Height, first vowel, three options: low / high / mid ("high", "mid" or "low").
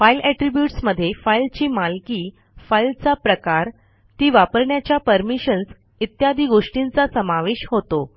low